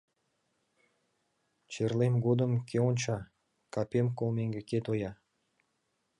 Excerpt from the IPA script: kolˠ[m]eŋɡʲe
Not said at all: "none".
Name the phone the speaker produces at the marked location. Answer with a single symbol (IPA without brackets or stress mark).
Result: m